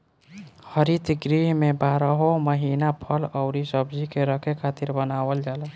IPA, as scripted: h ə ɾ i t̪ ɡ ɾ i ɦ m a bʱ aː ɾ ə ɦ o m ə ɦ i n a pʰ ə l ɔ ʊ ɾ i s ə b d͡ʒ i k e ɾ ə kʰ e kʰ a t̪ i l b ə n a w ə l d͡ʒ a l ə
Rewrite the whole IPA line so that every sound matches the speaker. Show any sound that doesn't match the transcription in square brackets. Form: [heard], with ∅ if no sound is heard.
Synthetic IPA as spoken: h ə ɾ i t̪ ɡ ɾ i ɦ m [e] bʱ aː ɾ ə ɦ o m ə ɦ i n a pʰ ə l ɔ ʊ ɾ i s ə b d͡ʒ i k e ɾ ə kʰ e kʰ a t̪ i [ɾ] b ə n a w ə l d͡ʒ a l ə